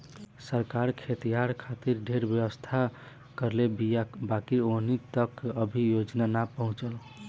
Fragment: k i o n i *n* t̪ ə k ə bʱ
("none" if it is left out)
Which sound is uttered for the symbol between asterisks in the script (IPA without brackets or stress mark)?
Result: none